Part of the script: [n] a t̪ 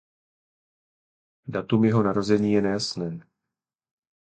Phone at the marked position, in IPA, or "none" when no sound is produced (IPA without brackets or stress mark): d